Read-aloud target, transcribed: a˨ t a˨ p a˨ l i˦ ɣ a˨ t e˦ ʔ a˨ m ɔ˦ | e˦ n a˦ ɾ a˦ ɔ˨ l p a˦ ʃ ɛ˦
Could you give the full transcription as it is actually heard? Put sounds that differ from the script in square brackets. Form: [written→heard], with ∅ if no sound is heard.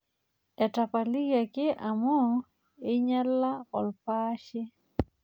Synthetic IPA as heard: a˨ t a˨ p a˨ l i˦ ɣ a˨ [t→k] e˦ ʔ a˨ m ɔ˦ | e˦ [n→ɲ] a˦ [ɾ→l] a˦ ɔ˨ l p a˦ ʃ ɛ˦

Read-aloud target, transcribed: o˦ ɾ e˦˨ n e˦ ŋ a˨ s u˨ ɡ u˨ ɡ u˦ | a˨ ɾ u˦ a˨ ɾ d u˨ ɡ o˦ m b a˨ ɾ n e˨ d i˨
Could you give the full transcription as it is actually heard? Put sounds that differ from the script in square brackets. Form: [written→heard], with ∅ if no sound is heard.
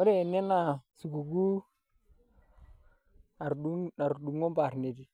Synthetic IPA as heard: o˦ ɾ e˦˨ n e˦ [ŋ→n] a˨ s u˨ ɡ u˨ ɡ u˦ | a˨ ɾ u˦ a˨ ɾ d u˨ [ɡ→ŋ] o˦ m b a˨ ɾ n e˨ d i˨

